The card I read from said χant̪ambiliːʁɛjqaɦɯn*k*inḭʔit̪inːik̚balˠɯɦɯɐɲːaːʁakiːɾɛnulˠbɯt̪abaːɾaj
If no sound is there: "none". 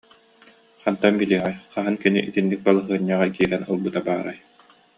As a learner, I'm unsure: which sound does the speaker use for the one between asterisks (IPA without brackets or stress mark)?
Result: k